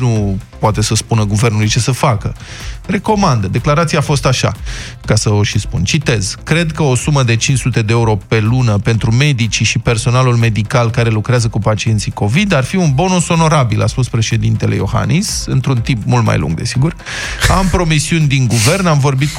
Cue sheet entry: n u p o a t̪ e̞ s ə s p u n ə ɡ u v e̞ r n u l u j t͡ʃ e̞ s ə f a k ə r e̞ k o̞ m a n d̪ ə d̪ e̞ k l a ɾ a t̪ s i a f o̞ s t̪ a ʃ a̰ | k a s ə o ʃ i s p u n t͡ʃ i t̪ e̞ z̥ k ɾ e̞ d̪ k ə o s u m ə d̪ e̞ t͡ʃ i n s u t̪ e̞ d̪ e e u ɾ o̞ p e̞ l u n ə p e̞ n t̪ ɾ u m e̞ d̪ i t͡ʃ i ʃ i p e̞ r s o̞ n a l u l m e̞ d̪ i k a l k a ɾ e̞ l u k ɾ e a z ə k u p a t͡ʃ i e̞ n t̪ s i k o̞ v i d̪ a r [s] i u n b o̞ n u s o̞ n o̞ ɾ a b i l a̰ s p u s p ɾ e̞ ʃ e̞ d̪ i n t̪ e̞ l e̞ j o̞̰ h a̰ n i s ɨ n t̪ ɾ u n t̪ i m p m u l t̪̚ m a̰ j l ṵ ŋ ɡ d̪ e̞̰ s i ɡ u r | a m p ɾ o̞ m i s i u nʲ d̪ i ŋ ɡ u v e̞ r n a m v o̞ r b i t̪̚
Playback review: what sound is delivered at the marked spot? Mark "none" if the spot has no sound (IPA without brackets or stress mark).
f